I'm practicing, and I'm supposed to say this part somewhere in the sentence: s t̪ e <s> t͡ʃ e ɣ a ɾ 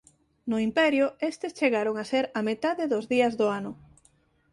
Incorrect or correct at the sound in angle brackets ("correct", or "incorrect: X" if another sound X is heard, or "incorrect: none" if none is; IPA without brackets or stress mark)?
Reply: correct